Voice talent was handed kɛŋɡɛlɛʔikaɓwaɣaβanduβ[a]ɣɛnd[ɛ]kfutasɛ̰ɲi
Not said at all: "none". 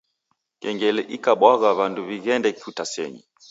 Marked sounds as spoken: i, ɛ

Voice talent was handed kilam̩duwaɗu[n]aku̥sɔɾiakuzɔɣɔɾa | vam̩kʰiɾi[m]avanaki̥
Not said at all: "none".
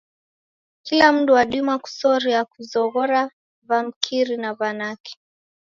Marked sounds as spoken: m, n

